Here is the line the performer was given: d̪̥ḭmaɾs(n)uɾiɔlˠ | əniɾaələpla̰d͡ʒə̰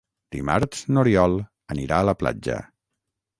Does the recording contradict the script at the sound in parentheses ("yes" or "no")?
no